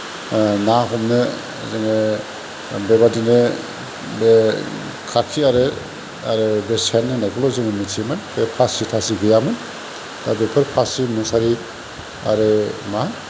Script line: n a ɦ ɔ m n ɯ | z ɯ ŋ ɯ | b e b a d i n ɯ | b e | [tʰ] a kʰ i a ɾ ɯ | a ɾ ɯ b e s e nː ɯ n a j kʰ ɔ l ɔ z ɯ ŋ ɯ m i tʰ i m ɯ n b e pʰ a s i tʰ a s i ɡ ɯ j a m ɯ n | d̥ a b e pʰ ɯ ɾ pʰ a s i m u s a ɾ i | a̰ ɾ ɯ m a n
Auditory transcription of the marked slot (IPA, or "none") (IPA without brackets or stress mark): kʰ